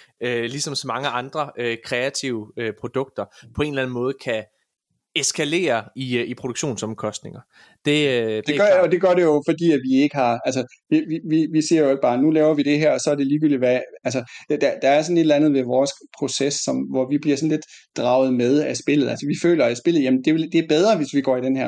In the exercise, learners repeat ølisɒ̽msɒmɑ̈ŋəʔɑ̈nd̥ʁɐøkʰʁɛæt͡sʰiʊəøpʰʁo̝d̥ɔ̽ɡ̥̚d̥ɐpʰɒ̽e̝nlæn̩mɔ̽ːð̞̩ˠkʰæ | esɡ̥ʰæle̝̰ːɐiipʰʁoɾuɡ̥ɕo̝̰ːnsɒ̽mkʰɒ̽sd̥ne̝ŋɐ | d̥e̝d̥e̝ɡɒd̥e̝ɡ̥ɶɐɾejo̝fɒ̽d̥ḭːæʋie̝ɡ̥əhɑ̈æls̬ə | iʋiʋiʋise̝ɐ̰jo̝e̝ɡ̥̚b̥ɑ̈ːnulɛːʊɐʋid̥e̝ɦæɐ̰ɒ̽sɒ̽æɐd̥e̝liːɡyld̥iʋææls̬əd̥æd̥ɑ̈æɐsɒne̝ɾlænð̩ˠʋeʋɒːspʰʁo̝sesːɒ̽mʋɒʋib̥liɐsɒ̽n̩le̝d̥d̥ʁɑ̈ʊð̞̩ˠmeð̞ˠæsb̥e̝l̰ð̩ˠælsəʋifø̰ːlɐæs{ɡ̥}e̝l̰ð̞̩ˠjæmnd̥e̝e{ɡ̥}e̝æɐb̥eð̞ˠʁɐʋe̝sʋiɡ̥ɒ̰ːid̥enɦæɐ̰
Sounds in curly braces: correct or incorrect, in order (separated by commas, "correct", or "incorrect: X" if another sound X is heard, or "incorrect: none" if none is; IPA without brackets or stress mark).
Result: incorrect: b̥, incorrect: d̥